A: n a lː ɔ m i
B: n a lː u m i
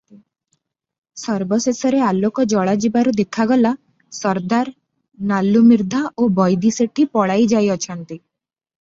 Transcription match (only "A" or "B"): B